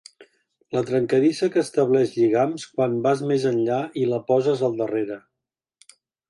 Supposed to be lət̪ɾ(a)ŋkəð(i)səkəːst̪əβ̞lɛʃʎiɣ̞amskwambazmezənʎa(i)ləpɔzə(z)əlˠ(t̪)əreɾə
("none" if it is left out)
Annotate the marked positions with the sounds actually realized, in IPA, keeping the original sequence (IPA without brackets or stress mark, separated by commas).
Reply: ə, i, i, z, d̪